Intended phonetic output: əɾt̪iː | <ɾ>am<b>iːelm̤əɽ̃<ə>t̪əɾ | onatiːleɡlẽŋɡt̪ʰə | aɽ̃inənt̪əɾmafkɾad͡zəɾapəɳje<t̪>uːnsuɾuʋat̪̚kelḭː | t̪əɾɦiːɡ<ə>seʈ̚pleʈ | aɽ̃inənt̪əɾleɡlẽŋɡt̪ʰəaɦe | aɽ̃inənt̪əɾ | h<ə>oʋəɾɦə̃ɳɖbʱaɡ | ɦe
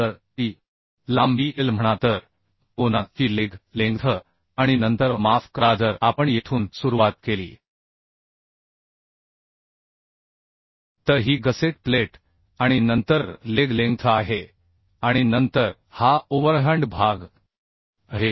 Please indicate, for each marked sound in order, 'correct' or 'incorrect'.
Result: incorrect, correct, incorrect, incorrect, correct, incorrect

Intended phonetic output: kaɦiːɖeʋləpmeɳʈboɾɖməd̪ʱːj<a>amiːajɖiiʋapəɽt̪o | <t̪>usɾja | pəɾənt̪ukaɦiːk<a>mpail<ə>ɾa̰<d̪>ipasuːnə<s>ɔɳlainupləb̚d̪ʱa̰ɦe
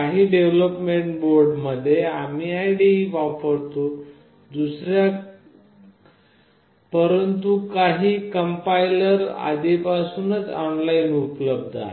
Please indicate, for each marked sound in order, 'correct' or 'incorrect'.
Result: incorrect, incorrect, incorrect, correct, correct, incorrect

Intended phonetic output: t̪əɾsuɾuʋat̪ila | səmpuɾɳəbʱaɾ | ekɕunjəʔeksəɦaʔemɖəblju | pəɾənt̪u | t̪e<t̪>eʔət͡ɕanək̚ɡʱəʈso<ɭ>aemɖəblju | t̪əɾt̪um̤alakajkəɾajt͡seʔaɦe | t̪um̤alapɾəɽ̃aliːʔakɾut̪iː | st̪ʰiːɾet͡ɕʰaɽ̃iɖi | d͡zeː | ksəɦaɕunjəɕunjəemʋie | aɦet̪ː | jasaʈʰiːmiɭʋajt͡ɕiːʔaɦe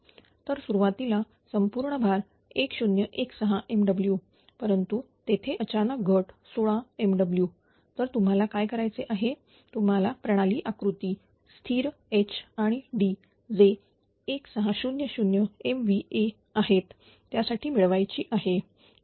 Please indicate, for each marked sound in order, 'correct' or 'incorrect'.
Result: incorrect, correct

